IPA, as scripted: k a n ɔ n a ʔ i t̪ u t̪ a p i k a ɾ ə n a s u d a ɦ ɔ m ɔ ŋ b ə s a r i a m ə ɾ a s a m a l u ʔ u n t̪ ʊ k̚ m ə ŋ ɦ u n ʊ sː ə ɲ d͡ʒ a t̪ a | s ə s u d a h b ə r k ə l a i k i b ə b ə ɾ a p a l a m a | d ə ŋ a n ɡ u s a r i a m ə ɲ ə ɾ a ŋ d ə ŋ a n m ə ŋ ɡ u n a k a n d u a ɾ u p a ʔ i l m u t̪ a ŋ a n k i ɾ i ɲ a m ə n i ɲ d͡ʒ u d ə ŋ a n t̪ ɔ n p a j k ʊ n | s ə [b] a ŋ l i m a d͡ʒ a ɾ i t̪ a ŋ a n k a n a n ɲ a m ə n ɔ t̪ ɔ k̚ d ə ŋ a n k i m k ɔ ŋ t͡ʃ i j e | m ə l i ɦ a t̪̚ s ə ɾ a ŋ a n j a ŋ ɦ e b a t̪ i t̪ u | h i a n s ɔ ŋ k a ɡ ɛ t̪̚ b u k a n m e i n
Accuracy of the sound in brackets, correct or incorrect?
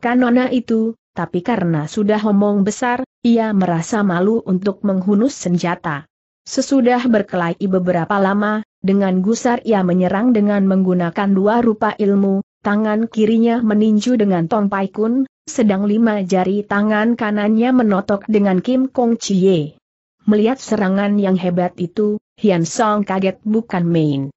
incorrect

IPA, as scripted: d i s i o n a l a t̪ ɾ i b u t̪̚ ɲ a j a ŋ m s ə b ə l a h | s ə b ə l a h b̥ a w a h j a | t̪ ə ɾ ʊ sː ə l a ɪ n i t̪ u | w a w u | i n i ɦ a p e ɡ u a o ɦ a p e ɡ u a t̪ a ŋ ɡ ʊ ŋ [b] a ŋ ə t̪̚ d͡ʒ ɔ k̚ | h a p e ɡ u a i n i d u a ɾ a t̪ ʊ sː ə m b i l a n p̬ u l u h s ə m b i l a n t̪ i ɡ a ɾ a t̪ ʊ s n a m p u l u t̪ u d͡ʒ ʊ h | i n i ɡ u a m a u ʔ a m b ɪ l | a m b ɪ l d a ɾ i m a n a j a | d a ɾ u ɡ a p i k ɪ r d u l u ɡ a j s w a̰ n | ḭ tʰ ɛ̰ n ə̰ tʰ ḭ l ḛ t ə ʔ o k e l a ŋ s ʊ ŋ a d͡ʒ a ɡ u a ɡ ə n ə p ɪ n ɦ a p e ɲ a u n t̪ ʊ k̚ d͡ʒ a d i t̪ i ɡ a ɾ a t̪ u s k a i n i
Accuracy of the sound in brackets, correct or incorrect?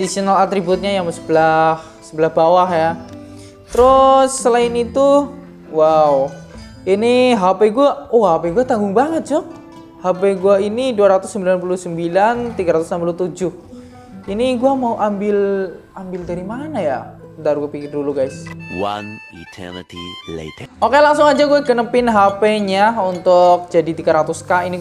correct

